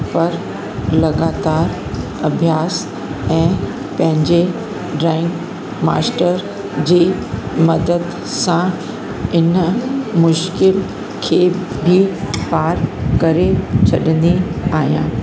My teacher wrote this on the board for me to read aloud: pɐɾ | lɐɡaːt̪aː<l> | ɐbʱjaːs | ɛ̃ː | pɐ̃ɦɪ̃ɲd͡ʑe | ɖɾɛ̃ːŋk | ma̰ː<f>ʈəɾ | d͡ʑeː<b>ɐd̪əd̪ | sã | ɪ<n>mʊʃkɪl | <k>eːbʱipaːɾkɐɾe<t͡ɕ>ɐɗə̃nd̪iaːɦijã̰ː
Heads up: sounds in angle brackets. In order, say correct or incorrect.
incorrect, incorrect, incorrect, correct, incorrect, incorrect

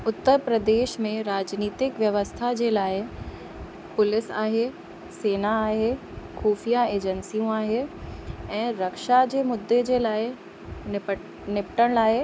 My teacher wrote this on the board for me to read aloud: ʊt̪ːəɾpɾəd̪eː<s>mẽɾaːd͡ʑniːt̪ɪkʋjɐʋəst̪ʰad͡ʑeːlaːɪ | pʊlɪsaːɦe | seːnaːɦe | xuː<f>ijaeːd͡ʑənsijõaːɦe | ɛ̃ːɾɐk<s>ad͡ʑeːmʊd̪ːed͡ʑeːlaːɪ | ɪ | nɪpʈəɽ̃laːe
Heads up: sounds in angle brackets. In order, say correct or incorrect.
incorrect, correct, incorrect

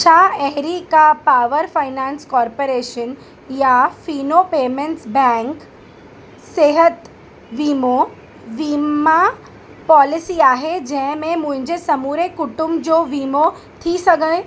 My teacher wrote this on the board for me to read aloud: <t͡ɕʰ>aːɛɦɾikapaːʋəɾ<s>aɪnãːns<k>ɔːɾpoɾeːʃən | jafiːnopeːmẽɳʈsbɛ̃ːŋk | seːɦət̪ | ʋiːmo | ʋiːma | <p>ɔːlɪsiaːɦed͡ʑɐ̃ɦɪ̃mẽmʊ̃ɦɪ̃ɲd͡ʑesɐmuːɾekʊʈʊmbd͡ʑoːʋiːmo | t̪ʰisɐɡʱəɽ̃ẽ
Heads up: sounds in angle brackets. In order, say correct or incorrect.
correct, incorrect, correct, correct

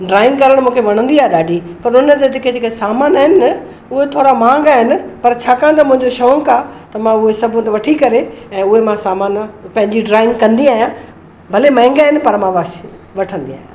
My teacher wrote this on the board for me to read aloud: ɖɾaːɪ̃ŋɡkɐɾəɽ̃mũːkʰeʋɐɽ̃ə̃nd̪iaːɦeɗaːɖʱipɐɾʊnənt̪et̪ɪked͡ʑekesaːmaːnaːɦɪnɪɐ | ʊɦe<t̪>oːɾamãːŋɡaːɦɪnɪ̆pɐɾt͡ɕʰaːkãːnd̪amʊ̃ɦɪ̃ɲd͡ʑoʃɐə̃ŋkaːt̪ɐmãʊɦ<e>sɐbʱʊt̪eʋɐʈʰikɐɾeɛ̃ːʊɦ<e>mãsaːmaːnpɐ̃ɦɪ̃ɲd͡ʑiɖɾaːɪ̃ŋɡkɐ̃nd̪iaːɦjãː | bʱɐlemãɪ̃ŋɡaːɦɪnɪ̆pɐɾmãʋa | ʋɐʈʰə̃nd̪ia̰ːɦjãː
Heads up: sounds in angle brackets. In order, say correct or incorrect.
incorrect, correct, correct

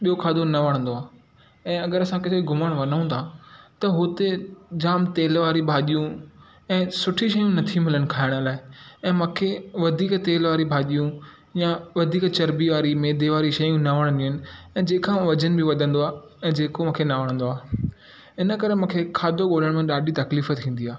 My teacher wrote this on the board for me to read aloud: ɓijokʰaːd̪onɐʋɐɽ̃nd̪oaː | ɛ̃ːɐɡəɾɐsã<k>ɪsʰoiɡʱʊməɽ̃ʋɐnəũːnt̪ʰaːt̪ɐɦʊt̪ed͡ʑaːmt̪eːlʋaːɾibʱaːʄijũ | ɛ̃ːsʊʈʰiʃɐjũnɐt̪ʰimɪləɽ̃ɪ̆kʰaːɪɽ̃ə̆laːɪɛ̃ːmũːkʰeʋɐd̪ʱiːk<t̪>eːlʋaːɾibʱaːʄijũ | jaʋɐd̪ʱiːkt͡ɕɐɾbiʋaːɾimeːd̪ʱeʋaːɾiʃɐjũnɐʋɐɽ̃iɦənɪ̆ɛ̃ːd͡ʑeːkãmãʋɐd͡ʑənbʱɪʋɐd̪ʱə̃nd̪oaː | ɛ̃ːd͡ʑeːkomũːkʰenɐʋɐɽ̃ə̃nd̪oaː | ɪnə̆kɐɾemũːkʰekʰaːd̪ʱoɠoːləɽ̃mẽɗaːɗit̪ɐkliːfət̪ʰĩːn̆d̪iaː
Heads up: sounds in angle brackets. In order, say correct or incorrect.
correct, correct

